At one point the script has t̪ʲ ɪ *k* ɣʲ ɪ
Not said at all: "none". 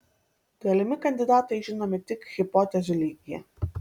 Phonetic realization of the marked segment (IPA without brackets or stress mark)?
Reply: k